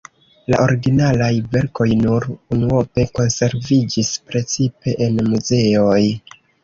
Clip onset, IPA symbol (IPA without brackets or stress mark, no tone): l